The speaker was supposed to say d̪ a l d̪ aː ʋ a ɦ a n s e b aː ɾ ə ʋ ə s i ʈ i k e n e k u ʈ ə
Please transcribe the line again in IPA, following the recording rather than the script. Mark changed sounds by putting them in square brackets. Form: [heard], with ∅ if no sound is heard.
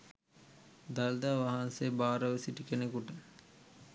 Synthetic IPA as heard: d̪ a l d̪ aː ʋ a ɦ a n s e b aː ɾ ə ʋ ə s i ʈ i k e n e k u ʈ ə